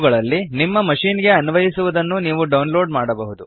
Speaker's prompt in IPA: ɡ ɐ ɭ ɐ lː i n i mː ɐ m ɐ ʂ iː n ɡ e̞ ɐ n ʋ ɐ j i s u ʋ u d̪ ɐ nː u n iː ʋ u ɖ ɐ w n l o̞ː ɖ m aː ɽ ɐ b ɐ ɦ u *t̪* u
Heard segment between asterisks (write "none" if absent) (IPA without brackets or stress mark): d̪